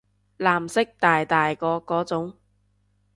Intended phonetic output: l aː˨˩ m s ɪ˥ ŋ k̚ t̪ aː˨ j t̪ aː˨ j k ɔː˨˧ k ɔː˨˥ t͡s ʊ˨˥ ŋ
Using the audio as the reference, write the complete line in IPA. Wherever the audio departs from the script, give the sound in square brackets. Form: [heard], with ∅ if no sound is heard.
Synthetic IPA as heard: l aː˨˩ m s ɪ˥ [∅] k̚ t̪ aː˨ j t̪ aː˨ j k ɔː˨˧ k ɔː˨˥ t͡s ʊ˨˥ ŋ